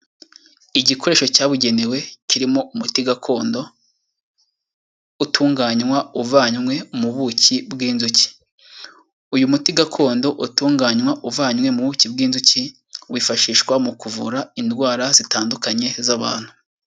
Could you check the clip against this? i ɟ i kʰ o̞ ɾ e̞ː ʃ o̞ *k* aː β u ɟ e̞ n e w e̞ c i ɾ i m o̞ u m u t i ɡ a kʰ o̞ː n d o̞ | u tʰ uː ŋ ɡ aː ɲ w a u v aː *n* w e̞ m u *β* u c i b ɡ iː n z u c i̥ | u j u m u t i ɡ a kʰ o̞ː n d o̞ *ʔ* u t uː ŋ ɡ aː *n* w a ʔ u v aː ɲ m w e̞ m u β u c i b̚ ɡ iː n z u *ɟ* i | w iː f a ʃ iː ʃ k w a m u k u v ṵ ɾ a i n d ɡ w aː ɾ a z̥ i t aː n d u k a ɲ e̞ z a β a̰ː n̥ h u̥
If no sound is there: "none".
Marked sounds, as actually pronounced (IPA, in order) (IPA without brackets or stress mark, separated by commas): c, ɲ, β, ʔ, ɲ, c